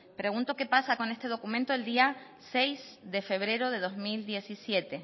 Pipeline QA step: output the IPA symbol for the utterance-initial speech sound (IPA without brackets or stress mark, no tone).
p